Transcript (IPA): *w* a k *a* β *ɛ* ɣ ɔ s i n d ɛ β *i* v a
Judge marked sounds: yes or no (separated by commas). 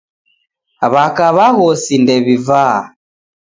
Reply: no, yes, no, yes